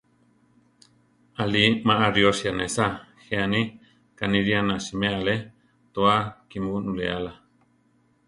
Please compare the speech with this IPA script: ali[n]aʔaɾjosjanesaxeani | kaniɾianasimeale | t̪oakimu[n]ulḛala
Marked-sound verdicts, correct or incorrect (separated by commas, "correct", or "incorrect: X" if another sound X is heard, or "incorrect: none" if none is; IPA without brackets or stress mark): incorrect: m, correct